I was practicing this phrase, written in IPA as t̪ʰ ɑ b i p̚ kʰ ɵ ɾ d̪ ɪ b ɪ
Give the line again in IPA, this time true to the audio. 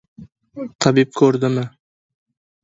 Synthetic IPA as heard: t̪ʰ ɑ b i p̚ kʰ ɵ ɾ d̪ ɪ m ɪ